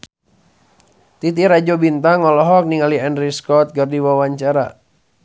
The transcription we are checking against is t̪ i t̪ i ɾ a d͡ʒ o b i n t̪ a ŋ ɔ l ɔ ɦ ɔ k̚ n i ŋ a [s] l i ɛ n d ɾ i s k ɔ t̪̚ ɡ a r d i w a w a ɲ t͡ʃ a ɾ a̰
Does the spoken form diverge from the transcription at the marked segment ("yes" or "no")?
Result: yes